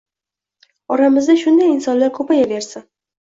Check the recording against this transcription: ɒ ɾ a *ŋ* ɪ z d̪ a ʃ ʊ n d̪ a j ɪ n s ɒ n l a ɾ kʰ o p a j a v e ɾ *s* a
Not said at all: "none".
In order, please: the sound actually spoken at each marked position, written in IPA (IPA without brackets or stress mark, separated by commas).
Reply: m, s